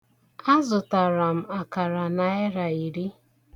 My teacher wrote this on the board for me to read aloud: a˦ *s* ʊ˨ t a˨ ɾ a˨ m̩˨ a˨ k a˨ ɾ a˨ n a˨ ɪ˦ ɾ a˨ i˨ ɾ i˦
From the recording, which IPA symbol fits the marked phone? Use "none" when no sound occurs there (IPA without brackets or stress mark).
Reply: z